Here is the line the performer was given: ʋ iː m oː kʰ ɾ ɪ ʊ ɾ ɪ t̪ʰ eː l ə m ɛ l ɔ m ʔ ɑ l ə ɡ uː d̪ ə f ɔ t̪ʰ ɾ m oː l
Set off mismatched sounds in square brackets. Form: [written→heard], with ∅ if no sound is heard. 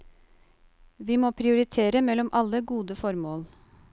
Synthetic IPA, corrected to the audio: ʋ iː m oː [kʰ→pʰ] ɾ ɪ ʊ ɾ ɪ t̪ʰ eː [l→ɾ] ə m ɛ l ɔ m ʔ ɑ l ə ɡ uː d̪ ə f ɔ [t̪ʰ→∅] ɾ m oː l